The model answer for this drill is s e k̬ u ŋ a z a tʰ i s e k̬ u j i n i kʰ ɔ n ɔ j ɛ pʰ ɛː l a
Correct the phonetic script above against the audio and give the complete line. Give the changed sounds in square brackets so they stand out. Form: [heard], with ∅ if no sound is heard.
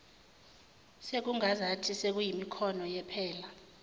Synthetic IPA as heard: s e k̬ u ŋ a z a tʰ i s e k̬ u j i [m] i kʰ ɔ n ɔ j ɛ pʰ ɛː l a